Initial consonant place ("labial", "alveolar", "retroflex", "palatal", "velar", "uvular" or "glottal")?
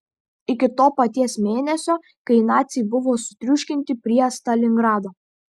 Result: velar